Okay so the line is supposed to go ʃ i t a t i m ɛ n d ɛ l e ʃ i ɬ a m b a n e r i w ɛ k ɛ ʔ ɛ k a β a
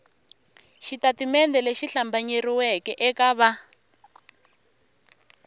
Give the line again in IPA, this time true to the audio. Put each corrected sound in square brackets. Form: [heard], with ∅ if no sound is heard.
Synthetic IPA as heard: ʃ i t a t i m ɛ n d ɛ l e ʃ i ɬ a m b a [ɲ] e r i w ɛ k ɛ ʔ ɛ k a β a